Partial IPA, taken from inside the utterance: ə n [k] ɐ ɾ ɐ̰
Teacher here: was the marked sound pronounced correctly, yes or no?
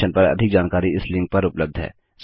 no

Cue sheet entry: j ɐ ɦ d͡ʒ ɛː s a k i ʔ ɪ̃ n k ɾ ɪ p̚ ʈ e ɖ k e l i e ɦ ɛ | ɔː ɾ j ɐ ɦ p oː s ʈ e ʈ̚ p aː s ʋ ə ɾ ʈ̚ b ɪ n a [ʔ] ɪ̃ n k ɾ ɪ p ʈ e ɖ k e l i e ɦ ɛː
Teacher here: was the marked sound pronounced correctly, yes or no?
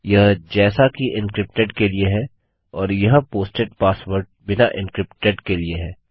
yes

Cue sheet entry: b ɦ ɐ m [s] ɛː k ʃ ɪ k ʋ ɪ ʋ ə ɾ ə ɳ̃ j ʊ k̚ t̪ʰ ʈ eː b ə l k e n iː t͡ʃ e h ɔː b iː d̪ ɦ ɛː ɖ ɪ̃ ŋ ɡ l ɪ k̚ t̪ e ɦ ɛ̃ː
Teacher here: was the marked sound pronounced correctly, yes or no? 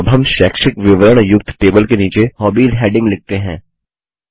no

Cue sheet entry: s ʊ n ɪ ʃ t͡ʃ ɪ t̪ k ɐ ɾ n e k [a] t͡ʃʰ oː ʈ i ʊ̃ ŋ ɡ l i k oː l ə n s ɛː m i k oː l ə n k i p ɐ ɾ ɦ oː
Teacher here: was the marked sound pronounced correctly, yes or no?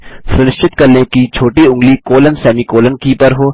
no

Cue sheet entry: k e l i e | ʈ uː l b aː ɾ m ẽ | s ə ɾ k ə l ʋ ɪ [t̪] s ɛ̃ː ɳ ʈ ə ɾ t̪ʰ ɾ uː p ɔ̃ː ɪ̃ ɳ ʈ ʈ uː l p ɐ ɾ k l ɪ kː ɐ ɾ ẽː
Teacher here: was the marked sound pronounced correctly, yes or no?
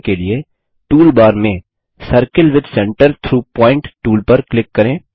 no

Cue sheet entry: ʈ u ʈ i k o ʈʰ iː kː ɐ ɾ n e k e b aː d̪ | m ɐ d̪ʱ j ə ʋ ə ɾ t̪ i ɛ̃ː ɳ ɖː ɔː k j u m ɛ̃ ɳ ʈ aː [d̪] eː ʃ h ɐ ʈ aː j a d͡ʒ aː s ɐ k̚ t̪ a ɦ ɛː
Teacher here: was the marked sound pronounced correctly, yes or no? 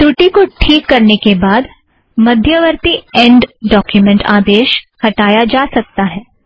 yes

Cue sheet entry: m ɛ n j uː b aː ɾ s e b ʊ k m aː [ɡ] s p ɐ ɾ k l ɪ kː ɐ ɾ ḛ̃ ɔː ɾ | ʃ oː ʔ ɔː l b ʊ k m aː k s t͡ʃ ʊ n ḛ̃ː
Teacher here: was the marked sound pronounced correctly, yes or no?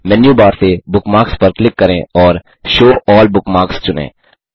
no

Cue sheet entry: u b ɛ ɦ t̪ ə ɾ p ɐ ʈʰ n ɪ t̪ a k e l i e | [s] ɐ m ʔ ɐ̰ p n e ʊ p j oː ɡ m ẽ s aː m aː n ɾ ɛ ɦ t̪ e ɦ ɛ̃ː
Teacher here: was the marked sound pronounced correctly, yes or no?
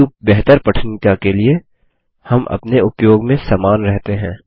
no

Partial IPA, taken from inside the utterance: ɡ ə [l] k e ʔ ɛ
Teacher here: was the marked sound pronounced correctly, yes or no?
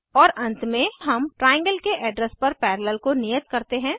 yes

